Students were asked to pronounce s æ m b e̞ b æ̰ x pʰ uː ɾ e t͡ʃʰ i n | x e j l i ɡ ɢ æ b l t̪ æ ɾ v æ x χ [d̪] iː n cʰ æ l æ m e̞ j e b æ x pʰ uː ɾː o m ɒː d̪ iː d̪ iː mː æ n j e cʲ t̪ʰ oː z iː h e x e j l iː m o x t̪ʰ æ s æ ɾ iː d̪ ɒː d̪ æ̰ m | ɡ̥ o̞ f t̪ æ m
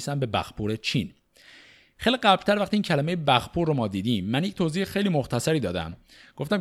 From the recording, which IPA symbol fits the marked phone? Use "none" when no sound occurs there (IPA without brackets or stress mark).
t̪